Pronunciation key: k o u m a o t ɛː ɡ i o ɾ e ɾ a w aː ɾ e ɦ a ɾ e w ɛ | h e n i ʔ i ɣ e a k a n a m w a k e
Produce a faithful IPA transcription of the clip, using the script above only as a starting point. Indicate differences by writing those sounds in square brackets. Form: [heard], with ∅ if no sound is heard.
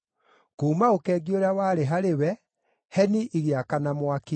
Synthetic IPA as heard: k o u m a o [k] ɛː ɡ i o ɾ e [∅] a w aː ɾ e ɦ a ɾ e w ɛ | h [ɛ] n i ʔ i ɣ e a k a n a m w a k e